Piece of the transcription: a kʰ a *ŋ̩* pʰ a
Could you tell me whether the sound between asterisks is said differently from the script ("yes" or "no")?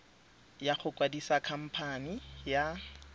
yes